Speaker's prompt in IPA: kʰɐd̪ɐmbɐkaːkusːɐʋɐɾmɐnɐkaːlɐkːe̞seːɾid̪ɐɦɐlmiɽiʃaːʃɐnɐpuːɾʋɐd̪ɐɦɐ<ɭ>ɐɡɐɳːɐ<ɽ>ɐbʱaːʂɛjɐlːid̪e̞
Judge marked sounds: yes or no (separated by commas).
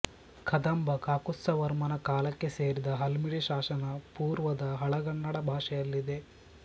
yes, yes